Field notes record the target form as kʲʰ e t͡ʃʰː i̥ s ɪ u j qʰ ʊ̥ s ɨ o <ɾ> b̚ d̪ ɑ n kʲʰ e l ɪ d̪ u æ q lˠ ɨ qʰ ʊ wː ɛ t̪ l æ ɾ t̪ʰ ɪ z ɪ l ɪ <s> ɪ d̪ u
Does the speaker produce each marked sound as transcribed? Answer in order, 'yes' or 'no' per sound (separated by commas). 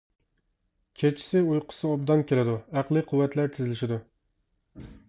no, no